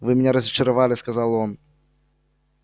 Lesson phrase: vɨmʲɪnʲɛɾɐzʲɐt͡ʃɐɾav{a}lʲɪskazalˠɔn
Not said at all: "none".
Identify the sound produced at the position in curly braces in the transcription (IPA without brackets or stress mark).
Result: a